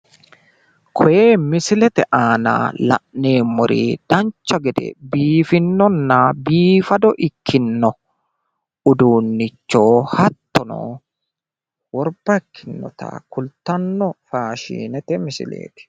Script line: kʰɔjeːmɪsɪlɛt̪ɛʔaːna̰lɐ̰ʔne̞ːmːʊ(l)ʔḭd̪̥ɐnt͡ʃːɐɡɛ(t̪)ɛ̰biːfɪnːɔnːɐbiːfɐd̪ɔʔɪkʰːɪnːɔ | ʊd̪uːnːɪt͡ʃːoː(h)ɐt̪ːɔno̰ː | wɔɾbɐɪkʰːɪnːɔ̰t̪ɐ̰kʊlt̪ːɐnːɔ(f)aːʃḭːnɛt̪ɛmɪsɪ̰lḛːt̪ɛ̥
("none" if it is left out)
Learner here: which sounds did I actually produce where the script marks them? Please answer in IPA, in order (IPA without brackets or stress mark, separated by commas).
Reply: ɾ, d̪, h, f